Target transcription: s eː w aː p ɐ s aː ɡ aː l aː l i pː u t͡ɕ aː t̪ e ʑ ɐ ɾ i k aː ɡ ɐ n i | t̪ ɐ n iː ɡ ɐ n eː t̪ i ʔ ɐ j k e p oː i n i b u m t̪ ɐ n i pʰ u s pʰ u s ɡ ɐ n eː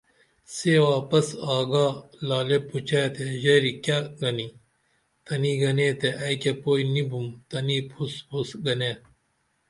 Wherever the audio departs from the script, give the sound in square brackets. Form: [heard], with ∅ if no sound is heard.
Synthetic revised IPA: s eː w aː p ɐ s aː ɡ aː l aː l [e] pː u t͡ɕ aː t̪ e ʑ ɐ ɾ i k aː ɡ ɐ n i | t̪ ɐ n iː ɡ ɐ n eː t̪ [e] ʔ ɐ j k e p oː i n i b u m t̪ ɐ n i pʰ u s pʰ u s ɡ ɐ n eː